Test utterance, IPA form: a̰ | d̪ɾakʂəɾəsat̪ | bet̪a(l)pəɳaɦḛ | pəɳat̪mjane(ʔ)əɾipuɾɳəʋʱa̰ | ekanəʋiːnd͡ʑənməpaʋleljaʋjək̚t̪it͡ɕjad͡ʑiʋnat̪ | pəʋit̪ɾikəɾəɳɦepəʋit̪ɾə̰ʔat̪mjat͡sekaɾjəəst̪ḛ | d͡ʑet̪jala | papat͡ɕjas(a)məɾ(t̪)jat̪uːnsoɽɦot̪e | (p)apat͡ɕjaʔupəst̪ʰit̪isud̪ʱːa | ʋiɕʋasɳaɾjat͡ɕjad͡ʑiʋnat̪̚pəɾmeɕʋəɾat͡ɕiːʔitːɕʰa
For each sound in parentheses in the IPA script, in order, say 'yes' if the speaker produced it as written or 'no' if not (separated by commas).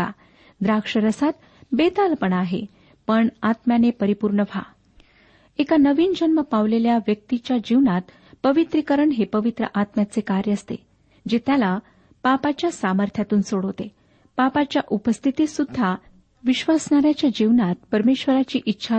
yes, no, yes, no, yes